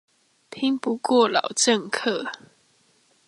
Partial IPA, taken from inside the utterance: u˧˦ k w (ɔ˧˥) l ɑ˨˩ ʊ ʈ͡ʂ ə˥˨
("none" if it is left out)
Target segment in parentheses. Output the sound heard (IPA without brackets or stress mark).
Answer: ɔ˥˨